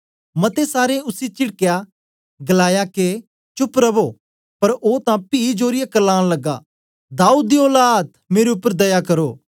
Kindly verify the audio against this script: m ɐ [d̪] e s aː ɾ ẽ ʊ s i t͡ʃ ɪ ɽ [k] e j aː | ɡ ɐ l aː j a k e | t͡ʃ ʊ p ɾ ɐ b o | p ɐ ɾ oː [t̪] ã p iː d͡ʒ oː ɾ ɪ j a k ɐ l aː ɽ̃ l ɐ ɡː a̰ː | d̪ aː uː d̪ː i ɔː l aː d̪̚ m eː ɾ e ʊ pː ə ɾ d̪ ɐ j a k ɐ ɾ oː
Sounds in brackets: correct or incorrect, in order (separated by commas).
incorrect, correct, correct